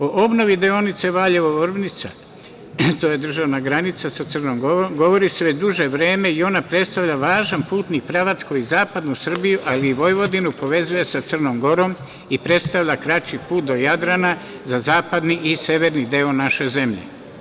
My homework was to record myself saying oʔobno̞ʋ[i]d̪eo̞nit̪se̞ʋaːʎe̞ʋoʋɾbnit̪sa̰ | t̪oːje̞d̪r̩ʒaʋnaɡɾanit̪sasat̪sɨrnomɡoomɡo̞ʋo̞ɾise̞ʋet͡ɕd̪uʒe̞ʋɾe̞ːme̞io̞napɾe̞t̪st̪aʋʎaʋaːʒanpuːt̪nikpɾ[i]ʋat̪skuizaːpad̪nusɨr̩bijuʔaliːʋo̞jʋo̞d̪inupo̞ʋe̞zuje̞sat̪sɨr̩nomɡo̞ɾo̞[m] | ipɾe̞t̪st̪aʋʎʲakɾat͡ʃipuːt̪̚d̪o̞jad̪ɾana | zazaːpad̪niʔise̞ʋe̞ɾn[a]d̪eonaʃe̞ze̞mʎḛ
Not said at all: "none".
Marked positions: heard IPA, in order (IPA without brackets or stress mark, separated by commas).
i, a, m, i